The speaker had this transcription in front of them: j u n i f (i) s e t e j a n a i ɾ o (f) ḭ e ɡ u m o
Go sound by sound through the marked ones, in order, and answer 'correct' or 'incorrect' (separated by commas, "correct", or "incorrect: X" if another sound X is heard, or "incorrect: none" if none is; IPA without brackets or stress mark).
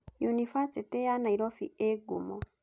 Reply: incorrect: a, correct